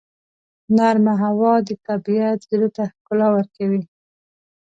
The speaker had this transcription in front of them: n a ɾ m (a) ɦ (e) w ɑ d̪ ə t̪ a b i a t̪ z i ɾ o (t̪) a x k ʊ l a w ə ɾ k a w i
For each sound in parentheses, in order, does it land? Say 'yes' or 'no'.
yes, no, yes

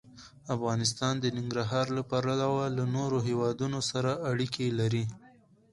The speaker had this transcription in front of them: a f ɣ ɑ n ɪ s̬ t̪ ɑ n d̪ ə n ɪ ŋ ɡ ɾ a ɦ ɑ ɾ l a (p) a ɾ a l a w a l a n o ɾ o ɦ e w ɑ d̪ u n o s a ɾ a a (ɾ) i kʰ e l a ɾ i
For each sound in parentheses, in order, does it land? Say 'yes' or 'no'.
yes, no

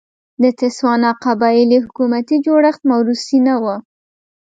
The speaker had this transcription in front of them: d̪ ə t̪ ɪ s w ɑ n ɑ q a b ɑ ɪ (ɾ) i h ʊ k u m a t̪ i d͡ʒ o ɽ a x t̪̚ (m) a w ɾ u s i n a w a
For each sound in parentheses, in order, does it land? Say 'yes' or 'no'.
no, yes

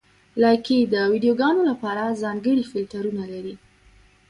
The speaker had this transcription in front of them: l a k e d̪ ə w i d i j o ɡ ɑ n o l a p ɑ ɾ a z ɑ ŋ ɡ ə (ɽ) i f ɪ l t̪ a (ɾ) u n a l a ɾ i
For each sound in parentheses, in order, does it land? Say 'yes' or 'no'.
yes, yes

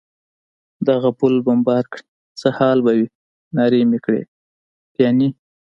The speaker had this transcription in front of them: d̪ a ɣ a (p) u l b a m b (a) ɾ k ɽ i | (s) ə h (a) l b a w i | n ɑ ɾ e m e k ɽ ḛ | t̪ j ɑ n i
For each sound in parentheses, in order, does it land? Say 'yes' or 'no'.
yes, no, no, no

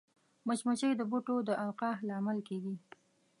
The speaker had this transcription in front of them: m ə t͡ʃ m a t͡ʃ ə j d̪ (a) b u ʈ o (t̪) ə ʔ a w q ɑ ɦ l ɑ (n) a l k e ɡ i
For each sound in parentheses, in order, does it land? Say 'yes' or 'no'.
no, no, no

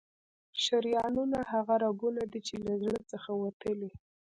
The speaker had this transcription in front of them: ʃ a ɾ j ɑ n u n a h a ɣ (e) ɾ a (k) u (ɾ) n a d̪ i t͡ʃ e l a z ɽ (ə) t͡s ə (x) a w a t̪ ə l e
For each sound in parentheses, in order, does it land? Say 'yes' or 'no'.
no, no, no, yes, yes

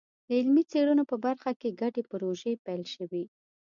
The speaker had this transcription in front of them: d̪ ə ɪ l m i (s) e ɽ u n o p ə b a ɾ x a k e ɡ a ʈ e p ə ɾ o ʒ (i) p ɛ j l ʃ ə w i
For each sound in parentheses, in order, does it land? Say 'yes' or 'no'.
no, no

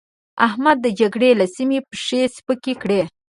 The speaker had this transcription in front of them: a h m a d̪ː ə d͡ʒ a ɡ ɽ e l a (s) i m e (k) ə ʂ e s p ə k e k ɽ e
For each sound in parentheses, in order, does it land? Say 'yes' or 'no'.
yes, no

